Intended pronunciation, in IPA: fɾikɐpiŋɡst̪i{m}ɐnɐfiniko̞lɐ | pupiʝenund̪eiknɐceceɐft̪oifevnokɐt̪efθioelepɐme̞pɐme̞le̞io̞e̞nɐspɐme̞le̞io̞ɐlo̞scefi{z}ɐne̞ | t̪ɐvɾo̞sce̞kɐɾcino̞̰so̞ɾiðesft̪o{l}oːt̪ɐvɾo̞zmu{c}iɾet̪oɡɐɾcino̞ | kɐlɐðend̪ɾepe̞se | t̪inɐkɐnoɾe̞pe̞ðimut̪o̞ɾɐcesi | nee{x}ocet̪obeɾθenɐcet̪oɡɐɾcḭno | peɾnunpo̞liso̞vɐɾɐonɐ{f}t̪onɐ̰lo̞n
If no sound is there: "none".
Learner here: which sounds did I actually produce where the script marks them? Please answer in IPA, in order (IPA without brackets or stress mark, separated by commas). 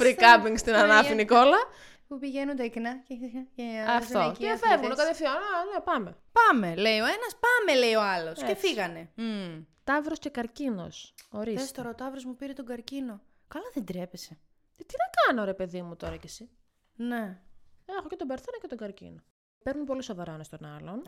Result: n, ɣ, ɾ, p, x, s